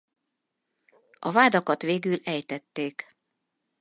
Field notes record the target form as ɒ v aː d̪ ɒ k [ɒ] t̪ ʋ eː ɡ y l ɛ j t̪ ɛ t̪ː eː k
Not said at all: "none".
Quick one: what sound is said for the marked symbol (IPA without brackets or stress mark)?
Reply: ɒ